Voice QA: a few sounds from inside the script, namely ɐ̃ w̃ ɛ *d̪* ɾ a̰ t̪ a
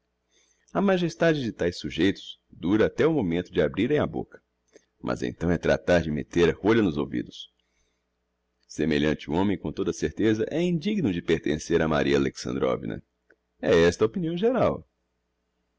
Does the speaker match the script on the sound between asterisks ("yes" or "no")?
no